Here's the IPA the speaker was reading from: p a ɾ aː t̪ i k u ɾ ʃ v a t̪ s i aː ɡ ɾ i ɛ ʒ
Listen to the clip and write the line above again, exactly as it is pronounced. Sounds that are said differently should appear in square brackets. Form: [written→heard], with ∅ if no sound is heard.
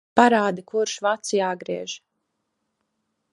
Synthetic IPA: p a ɾ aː [t̪→d̪] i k u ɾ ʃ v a t̪ s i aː ɡ ɾ i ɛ ʒ